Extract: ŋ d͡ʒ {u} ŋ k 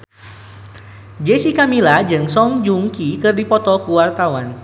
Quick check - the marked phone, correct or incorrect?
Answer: correct